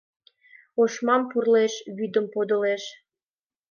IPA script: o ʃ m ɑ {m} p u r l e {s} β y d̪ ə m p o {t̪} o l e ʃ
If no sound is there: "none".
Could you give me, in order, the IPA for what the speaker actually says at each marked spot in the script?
m, ʃ, d̪

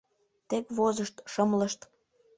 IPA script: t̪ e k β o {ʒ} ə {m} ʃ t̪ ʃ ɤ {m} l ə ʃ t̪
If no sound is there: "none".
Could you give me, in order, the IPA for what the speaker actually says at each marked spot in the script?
z, none, m

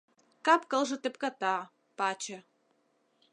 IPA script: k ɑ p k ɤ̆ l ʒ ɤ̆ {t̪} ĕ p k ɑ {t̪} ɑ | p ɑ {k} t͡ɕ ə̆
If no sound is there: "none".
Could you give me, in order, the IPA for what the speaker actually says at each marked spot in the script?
t̪, t̪, none

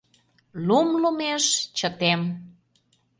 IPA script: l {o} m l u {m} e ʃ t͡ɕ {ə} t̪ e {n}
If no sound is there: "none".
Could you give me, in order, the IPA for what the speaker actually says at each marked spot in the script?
u, m, ə, m

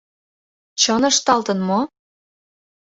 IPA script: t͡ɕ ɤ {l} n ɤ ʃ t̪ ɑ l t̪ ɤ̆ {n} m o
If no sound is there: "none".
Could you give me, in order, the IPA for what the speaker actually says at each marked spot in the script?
none, n

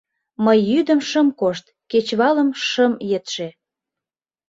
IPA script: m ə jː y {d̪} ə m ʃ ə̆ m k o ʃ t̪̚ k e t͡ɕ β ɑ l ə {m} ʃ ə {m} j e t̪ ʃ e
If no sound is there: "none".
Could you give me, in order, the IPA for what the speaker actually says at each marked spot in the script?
d̪, m, m

